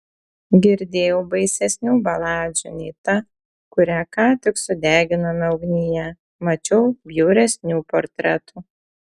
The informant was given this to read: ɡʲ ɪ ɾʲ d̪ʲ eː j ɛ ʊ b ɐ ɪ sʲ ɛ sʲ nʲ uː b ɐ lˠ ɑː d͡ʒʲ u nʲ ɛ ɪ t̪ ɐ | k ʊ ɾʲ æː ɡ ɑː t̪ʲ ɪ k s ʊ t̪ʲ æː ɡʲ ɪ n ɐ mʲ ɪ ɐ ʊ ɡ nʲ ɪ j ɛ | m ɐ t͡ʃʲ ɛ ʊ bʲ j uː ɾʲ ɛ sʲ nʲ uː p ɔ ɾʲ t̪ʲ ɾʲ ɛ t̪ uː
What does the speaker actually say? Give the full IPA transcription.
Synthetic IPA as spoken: ɡʲ ɪ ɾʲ d̪ʲ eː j ɛ ʊ b ɐ ɪ sʲ ɛ sʲ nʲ uː b ɐ lˠ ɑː d͡ʒʲ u nʲ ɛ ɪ t̪ ɐ | k ʊ ɾʲ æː k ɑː t̪ʲ ɪ k s ʊ d̪ʲ æː ɡʲ ɪ n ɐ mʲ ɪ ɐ ʊ ɡ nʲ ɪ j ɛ | m ɐ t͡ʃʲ ɛ ʊ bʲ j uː ɾʲ ɛ sʲ nʲ uː p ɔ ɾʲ t̪ʲ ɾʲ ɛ t̪ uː